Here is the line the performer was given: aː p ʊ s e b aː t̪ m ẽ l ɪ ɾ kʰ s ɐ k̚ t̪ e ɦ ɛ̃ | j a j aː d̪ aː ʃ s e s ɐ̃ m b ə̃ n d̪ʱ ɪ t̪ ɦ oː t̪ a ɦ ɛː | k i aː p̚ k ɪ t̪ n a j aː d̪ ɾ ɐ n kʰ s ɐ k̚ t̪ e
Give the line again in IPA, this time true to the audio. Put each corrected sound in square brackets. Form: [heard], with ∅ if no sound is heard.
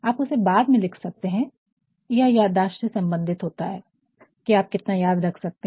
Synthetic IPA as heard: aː p ʊ s e b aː [d̪] m ẽ l ɪ [∅] kʰ s ɐ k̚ t̪ e ɦ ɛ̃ | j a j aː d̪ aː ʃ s e s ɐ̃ m b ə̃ n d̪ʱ ɪ t̪ ɦ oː t̪ a ɦ ɛː | k i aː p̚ k ɪ t̪ n a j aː d̪ ɾ ɐ [∅] kʰ s ɐ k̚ t̪ e